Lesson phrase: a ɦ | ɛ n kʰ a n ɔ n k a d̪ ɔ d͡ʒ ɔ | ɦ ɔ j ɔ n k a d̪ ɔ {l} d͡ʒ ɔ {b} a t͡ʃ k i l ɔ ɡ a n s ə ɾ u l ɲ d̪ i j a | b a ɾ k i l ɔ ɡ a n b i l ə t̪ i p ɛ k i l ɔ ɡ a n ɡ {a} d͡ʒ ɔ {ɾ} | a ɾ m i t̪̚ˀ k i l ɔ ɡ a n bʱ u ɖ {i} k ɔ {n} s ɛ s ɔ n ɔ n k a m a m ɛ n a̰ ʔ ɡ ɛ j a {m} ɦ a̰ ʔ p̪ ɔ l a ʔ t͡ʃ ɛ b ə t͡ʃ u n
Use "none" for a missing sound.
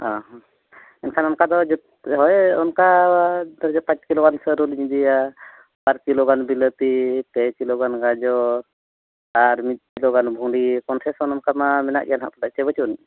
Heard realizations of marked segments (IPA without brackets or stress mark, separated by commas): ɾ, p, a, ɾ, i, n, n